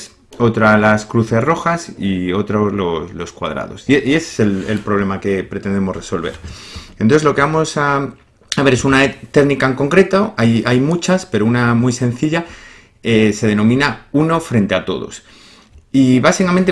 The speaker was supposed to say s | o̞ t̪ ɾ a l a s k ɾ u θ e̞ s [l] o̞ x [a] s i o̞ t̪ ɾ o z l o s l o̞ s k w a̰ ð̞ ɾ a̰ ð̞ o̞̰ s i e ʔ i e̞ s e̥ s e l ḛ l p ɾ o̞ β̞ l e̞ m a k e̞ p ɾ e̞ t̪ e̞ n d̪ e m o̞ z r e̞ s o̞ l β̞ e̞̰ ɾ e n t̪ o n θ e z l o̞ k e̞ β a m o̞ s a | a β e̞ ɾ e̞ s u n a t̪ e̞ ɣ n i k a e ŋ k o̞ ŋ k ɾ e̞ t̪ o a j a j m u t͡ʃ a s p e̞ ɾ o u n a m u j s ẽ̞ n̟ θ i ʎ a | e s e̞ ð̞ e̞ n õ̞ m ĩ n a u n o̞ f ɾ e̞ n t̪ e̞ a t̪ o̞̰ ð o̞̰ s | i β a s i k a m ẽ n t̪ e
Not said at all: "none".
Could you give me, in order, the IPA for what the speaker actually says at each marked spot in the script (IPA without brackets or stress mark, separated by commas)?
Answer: r, a